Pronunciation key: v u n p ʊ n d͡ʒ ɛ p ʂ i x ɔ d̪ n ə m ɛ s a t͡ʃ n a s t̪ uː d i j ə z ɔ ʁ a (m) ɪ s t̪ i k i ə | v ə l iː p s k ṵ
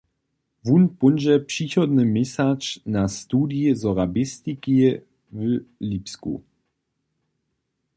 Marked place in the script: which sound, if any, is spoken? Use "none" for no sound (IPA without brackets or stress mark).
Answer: b